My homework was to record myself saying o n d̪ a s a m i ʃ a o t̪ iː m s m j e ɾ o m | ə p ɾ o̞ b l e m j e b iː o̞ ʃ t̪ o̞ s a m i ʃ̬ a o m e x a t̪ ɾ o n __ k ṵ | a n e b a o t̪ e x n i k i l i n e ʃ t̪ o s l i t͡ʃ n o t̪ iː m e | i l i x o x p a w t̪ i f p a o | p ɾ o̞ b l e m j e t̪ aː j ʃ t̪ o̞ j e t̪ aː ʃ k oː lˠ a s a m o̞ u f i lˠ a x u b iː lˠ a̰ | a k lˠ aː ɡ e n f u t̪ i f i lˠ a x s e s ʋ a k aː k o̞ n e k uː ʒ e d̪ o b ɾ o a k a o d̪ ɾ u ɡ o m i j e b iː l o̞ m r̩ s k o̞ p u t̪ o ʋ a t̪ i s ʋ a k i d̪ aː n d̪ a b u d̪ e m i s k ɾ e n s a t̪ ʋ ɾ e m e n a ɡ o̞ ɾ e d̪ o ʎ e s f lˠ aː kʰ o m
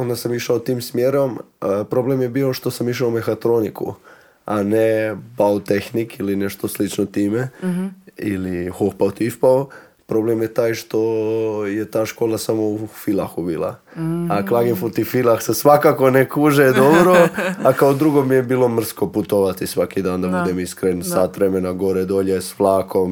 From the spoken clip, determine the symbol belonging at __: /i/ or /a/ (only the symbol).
i